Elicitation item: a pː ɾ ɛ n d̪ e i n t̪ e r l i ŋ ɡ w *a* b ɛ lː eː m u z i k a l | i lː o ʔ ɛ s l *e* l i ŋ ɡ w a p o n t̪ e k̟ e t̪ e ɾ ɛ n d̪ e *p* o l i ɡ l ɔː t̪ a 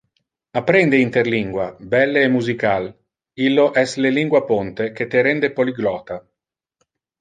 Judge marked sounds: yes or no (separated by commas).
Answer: yes, yes, yes